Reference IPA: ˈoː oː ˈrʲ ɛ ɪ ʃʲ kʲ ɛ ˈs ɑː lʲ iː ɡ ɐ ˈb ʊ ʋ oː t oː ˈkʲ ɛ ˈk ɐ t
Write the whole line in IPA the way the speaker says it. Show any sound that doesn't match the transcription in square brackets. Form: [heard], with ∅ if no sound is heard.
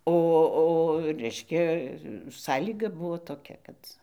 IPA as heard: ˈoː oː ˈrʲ ɛ ɪ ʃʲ kʲ ɛ ˈs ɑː lʲ iː ɡ ɐ ˈb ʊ ʋ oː t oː ˈkʲ ɛ ˈk ɐ t